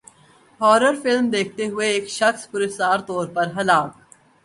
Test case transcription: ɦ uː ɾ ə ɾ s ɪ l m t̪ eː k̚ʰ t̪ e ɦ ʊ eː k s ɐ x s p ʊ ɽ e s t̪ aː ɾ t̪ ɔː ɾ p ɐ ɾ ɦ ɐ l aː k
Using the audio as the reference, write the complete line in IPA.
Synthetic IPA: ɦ ɔː ɾ ə ɾ f ɪ l m d̪ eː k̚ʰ t̪ e ɦ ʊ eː k ʃ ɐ x s p ʊ ɾ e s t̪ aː ɾ t̪ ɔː ɾ p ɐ ɾ ɦ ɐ l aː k

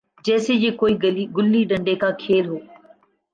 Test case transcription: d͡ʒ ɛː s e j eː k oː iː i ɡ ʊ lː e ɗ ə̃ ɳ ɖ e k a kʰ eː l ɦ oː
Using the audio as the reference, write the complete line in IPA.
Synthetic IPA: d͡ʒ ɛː s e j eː k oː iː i ɡ ʊ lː i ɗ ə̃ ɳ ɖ e k a kʰ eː l ɦ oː

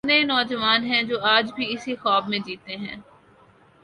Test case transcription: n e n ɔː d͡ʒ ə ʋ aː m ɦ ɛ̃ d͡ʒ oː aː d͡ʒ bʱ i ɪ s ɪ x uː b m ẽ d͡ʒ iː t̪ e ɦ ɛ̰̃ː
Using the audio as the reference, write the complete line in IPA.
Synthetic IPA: n e n ɔː d͡ʒ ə ʋ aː n ɦ ɛ̃ d͡ʒ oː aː d͡ʒ bʱ i ɪ s i x ɔː b m ẽ d͡ʒ iː t̪ e ɦ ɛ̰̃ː

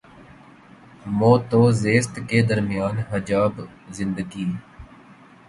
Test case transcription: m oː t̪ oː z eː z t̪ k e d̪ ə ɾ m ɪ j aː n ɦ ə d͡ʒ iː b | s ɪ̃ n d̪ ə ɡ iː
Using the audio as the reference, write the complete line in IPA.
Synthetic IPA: m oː t̪ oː z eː s t̪ k e d̪ ə ɾ m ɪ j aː n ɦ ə d͡ʒ aː b | z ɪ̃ n d̪ ə ɡ iː

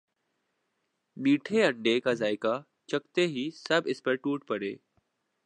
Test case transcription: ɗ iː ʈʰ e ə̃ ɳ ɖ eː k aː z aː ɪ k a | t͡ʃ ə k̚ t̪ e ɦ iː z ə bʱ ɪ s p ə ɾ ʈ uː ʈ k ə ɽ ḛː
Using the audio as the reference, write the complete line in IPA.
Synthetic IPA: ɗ iː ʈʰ e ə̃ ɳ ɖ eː k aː z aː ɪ k a | t͡ʃ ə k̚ t̪ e ɦ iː s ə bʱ ɪ s p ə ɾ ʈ uː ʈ p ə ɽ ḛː

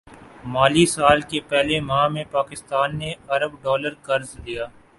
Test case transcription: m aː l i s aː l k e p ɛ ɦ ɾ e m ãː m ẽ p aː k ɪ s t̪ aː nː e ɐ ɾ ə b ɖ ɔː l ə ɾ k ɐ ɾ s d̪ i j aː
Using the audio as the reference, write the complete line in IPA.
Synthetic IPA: m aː l i s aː l k e p ɛ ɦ l e m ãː m ẽ p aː k ɪ s t̪ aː nː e ɐ ɾ ə b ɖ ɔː l ə ɾ k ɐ ɾ z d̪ i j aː

